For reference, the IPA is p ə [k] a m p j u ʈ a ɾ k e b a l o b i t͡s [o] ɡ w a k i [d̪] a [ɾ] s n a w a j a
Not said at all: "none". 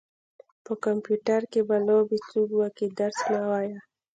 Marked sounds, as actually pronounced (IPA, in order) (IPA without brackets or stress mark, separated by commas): k, u, d̪, ɾ